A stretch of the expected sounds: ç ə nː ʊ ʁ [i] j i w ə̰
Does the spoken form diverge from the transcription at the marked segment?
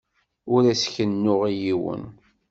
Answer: no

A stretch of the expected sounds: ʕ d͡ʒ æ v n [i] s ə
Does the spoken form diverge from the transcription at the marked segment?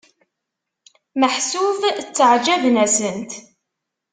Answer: yes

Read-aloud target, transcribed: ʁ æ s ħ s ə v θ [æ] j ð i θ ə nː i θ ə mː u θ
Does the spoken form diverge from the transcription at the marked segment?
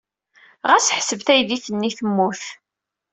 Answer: no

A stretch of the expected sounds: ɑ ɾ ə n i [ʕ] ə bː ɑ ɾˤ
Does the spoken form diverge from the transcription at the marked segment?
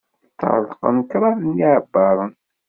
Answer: no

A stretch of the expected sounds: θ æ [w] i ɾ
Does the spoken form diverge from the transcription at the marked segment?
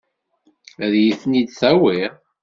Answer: no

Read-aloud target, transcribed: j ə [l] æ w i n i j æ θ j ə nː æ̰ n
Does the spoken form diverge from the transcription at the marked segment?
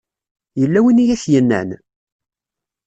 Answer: yes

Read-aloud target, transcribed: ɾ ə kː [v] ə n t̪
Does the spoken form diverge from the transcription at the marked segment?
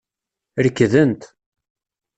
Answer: yes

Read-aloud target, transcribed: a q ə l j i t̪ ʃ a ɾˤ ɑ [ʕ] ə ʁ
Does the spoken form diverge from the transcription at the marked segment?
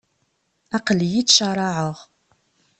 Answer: no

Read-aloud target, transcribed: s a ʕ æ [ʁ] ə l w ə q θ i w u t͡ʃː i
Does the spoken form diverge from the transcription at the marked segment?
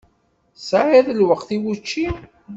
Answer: yes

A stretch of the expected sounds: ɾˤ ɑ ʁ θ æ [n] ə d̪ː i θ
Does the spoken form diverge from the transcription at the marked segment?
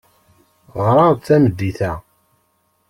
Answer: yes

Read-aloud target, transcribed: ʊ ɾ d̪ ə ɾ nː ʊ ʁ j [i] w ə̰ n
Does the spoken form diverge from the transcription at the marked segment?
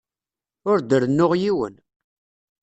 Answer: no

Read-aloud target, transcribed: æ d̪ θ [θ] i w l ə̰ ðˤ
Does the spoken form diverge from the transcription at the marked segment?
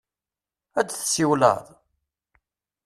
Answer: yes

